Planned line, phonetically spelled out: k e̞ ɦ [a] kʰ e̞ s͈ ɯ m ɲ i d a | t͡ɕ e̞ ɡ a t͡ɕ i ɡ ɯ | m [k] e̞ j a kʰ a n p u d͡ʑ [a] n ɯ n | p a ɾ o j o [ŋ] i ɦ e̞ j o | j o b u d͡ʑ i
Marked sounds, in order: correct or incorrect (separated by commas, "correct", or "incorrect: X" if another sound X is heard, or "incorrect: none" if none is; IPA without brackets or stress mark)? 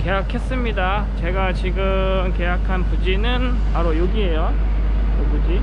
correct, correct, incorrect: i, incorrect: ɡ